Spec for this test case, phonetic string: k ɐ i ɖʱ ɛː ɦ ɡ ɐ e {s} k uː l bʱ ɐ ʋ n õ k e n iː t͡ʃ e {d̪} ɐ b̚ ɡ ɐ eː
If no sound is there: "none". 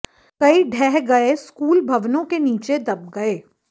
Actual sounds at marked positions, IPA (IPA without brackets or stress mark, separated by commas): s, d̪